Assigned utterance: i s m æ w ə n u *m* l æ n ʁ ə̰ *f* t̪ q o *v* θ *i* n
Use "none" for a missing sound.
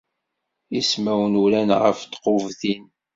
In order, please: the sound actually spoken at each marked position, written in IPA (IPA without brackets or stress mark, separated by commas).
none, f, v, i